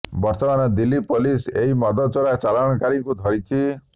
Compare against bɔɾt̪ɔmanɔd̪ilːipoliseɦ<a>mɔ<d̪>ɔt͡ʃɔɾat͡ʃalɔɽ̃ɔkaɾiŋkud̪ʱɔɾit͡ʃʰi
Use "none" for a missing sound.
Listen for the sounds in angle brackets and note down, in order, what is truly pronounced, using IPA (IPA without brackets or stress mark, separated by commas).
i, d̪